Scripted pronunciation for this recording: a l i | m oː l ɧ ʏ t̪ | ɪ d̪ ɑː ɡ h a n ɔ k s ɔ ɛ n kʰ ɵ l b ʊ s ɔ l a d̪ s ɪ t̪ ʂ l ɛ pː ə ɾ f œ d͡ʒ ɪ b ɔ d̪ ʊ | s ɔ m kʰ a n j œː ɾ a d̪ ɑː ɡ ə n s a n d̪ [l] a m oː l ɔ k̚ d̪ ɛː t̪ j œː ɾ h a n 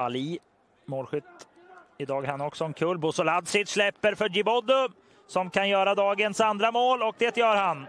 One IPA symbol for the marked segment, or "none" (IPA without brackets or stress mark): ɾ